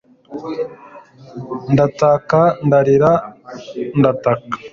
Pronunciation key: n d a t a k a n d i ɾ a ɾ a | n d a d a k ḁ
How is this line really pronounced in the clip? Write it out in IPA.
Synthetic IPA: n d a t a k a n d a ɾ i ɾ a | n d a t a k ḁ